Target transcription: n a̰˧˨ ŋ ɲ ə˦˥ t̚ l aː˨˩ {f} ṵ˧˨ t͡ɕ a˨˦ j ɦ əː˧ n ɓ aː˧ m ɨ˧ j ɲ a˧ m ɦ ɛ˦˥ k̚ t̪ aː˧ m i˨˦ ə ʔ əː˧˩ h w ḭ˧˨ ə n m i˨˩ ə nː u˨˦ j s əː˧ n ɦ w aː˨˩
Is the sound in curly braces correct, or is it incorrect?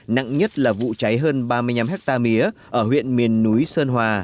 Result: incorrect